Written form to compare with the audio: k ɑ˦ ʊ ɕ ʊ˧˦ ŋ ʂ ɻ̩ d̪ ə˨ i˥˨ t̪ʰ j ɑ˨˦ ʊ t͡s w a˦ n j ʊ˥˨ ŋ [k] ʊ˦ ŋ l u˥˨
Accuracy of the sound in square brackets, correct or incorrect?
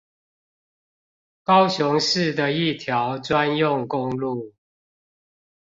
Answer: correct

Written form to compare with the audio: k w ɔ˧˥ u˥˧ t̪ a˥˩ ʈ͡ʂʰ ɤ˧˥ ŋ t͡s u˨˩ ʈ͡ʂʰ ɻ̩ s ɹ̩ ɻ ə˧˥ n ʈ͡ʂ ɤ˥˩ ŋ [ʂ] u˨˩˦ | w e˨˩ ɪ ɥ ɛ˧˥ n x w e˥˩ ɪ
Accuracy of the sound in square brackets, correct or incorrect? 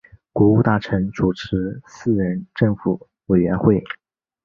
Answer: incorrect: f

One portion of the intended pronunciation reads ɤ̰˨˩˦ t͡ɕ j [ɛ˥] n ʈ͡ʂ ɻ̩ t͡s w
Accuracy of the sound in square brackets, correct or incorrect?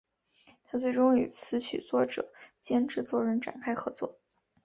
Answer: correct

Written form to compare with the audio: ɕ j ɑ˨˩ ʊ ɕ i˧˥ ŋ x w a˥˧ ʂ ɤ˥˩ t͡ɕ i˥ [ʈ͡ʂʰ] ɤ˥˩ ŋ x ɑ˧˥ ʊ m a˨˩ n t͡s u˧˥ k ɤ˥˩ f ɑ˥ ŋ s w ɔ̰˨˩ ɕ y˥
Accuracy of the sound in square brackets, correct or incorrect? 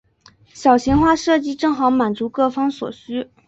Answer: incorrect: ʈ͡ʂ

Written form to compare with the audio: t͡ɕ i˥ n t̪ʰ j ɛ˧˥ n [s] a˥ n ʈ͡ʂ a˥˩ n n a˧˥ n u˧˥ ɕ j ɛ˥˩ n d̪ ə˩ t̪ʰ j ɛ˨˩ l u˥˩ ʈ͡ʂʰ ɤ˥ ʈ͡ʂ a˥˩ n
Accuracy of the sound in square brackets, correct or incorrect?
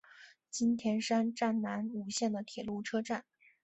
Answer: incorrect: ʂ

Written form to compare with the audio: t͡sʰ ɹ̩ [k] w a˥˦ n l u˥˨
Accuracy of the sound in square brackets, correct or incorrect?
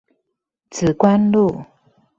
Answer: correct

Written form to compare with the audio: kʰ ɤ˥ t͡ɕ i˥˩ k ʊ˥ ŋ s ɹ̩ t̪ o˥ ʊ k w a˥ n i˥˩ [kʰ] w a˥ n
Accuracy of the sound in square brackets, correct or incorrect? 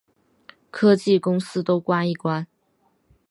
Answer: incorrect: k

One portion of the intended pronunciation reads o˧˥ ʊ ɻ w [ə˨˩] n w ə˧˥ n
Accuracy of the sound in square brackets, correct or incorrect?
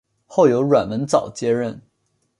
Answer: incorrect: a˨˩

